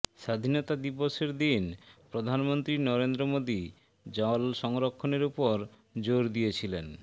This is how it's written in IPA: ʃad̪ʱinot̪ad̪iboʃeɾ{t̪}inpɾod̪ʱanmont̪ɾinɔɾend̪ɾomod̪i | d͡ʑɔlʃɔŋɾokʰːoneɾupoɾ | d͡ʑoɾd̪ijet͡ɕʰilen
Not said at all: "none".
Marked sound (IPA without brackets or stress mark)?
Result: d̪